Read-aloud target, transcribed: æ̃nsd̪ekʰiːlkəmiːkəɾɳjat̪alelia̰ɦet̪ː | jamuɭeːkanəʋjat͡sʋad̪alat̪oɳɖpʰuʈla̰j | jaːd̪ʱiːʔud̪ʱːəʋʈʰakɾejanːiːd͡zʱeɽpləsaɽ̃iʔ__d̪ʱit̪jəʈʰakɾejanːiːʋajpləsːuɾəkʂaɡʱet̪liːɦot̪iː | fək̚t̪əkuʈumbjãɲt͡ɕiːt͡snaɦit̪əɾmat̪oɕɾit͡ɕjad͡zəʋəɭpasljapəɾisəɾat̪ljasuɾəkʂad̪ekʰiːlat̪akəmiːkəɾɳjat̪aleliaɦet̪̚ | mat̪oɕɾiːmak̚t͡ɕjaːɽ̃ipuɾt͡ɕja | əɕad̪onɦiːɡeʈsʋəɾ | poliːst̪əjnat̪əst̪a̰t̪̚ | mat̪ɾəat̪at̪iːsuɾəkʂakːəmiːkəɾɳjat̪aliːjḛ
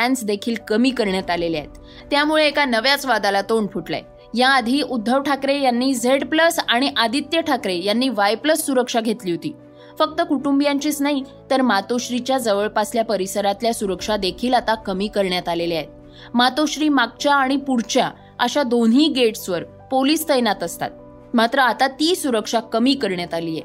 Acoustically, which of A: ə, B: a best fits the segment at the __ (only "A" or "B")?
B